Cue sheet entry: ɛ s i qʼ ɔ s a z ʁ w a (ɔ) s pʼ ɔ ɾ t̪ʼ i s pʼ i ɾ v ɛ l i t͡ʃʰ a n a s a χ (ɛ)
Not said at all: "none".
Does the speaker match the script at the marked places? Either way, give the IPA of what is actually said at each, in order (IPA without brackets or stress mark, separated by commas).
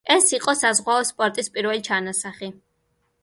ɔ, i